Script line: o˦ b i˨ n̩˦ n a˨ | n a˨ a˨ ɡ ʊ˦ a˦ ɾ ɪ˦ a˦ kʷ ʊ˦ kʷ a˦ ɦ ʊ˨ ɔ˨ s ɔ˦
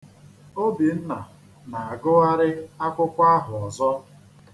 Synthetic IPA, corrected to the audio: o˦ b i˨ n̩˦ n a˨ | n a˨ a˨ ɡ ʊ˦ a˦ ɾ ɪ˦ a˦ kʷ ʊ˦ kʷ a˦ ɦ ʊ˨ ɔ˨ z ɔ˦